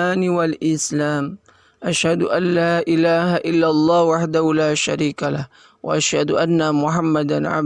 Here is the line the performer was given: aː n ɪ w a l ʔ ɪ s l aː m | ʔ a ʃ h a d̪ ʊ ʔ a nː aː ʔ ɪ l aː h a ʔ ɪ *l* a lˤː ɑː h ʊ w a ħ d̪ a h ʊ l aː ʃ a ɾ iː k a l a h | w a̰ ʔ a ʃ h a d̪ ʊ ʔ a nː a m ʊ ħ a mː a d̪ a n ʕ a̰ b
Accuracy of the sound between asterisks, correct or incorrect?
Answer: incorrect: lː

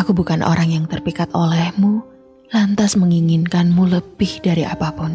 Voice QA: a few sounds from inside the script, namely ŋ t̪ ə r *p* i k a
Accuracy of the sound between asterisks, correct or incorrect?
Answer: correct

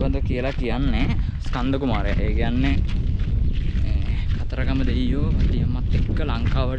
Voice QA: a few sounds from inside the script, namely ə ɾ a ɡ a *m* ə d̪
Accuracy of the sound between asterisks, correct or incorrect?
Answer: correct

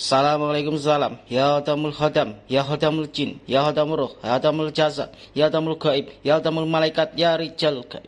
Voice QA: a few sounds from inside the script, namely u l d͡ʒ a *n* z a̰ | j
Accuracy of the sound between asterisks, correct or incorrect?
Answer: incorrect: none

